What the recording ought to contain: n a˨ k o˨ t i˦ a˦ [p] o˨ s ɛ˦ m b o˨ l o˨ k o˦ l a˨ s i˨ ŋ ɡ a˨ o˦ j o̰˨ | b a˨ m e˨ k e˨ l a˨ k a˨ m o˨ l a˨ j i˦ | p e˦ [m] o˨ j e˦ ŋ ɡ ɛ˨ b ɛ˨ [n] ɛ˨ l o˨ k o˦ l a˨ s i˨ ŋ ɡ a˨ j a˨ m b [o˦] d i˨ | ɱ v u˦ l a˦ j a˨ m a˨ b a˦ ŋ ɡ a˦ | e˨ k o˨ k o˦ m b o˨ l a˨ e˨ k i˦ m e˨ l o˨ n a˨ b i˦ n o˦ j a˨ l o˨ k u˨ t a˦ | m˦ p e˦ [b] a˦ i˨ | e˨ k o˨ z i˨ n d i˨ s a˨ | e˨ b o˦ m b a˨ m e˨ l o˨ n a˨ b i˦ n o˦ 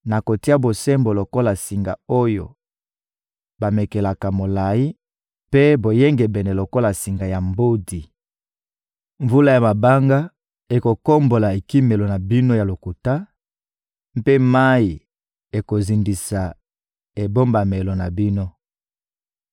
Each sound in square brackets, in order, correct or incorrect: incorrect, incorrect, correct, correct, incorrect

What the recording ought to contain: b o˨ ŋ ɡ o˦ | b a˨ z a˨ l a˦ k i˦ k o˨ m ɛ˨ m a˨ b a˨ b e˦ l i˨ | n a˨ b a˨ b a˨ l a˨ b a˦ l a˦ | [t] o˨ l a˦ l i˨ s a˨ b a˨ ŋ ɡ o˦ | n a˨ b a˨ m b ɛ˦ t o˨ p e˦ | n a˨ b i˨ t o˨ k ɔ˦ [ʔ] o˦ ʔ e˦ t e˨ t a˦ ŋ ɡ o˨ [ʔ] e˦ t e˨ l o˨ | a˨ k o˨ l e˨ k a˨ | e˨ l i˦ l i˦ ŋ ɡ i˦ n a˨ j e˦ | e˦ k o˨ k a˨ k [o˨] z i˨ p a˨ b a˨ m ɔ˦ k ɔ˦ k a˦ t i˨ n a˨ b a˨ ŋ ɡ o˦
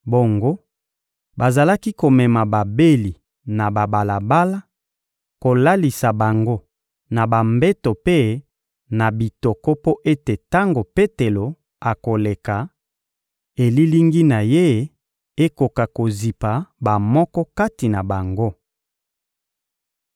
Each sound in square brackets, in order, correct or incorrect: incorrect, incorrect, incorrect, correct

